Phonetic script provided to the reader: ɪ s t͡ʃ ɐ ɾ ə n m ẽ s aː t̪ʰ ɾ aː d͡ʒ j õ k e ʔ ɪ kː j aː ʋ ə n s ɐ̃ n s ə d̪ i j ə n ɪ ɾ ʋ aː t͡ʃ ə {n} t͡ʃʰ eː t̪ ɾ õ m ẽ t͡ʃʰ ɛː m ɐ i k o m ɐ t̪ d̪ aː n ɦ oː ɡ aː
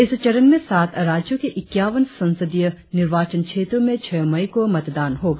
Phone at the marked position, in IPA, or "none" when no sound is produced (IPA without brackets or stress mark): n